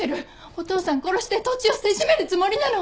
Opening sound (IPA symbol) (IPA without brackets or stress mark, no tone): e